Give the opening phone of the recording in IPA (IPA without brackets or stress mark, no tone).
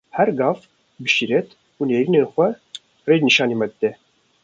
h